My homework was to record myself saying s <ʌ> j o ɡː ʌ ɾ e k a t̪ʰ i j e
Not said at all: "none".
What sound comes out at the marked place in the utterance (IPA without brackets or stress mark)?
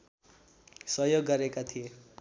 ʌ